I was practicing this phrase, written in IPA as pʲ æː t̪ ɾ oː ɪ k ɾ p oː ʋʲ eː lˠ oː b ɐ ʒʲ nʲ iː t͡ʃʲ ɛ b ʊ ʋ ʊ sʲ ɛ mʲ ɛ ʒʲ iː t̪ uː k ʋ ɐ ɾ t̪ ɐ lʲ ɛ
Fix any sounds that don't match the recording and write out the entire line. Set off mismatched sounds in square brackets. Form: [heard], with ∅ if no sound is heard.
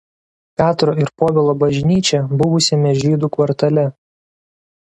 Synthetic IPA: pʲ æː t̪ ɾ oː ɪ [∅] ɾ p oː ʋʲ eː lˠ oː b ɐ ʒʲ nʲ iː t͡ʃʲ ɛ b ʊ ʋ ʊ sʲ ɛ mʲ ɛ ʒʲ iː [d̪] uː k ʋ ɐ ɾ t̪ ɐ lʲ ɛ